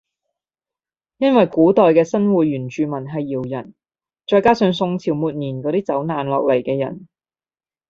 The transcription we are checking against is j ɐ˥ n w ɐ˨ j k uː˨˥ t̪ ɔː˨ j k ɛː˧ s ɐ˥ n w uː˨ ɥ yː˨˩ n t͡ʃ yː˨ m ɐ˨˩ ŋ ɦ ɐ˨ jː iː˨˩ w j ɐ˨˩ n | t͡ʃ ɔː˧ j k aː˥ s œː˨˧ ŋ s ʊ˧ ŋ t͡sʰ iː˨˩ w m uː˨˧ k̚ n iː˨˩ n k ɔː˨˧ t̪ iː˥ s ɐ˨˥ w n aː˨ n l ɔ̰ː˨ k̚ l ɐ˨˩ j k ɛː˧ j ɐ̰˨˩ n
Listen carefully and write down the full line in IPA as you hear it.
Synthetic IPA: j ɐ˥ n w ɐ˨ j k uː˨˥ t̪ ɔː˨ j k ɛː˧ s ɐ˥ n w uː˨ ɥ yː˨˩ n t͡ʃ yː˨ m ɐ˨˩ n ɦ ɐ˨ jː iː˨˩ w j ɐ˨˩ n | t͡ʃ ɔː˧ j k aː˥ s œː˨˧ ŋ s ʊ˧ ŋ t͡sʰ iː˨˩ w m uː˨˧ t̚ n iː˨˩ n k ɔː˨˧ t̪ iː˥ t͡s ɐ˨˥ w n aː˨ n l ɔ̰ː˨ k̚ l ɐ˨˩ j k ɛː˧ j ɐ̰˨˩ n